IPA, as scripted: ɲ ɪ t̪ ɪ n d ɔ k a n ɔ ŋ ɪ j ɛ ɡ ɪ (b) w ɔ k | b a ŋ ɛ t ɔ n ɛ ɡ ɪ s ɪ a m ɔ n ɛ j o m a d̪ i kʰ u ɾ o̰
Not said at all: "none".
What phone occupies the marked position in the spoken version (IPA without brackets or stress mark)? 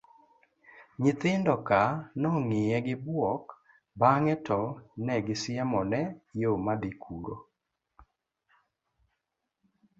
b